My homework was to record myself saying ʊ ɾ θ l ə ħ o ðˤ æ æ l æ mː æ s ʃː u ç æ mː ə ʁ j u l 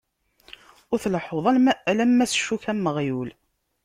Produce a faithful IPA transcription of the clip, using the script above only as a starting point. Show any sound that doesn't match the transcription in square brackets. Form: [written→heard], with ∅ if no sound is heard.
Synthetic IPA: ʊ ɾ θ l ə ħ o ðˤ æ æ l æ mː æ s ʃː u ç æ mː ə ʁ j u l